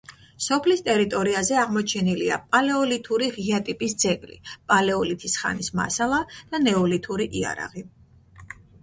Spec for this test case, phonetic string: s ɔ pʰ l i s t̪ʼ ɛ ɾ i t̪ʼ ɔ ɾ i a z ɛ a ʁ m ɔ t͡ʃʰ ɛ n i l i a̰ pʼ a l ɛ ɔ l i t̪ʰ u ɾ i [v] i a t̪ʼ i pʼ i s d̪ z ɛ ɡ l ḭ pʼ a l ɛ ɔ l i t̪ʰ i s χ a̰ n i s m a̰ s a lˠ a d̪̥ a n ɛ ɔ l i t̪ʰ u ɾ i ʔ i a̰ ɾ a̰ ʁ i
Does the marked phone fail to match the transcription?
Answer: yes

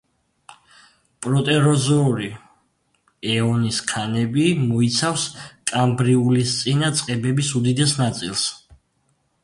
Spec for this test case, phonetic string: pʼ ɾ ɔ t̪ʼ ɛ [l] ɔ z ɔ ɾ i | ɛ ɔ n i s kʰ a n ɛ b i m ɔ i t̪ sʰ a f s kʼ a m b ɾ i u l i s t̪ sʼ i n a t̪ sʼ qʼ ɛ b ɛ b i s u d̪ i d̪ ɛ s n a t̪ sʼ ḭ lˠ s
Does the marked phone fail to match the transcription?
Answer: yes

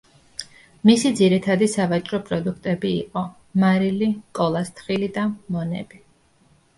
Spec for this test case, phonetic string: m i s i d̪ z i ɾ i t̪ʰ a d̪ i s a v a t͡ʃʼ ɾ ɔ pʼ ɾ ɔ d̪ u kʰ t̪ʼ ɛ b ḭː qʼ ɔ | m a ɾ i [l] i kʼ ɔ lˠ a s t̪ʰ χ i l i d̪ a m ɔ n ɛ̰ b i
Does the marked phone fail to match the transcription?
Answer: no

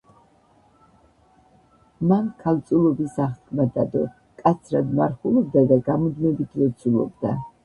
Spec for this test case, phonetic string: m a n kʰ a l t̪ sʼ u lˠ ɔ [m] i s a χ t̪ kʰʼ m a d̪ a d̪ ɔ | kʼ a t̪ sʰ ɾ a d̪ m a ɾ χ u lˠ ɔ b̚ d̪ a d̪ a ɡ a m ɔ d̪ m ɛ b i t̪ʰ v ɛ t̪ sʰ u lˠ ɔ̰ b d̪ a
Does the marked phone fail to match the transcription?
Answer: yes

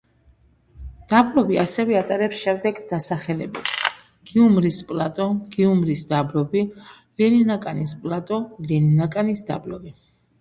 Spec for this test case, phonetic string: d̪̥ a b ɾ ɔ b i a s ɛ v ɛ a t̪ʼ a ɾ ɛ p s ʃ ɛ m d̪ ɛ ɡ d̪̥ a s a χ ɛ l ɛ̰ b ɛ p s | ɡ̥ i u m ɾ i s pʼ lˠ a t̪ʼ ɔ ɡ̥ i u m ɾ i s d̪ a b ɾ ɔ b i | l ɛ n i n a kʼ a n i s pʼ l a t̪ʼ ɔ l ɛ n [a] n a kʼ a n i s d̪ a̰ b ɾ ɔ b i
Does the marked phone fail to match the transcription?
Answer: yes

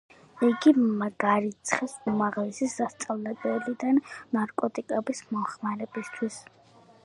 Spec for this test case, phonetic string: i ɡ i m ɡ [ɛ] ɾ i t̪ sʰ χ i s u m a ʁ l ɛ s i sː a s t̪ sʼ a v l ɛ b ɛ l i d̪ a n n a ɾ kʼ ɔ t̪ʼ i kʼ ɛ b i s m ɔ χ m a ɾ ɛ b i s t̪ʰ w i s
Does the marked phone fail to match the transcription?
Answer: yes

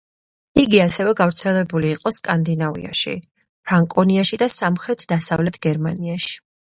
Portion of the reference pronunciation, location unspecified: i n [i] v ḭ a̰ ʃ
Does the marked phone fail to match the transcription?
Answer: yes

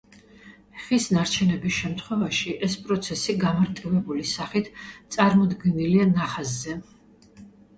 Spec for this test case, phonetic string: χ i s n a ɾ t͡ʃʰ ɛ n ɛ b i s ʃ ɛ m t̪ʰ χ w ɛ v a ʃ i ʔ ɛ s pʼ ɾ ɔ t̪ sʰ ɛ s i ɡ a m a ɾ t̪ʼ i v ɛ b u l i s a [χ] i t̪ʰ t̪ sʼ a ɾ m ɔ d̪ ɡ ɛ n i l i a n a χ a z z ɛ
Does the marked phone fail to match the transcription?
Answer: no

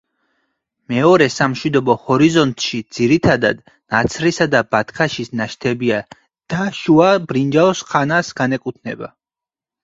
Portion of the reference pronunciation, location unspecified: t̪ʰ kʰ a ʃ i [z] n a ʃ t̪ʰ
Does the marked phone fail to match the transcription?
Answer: yes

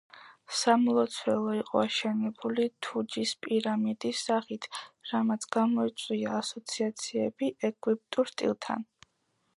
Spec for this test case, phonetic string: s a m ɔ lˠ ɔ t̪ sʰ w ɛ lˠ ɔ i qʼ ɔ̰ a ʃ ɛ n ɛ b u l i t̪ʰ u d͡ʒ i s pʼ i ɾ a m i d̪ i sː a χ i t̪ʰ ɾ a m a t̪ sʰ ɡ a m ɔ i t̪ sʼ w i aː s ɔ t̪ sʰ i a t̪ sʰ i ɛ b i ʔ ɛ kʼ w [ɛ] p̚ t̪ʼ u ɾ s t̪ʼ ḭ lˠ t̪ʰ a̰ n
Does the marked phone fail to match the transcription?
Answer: yes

